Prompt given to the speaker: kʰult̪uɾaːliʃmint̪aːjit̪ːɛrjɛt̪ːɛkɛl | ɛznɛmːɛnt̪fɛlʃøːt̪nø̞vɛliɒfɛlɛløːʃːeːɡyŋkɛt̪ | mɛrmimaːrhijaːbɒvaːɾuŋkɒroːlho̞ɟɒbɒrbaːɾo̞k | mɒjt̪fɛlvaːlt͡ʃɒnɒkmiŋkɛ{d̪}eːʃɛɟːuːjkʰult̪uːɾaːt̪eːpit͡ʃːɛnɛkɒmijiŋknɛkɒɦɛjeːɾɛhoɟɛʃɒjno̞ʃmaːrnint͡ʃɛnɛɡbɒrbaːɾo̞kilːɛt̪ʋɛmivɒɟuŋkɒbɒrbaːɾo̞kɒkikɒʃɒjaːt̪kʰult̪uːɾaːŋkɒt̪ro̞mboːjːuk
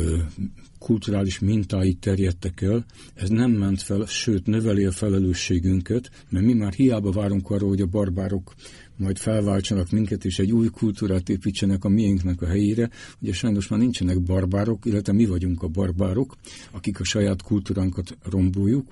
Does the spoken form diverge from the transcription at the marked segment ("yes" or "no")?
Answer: yes